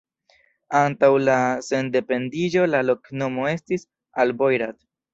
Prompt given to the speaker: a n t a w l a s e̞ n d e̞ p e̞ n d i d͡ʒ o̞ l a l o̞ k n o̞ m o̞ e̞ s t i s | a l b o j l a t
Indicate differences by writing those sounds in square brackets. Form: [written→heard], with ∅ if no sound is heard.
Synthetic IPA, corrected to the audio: a n t a w l a s e̞ n d e̞ p e̞ n d i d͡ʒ o̞ l a l o̞ k n o̞ m o̞ e̞ s t i s | a l b o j [l→ɾ] a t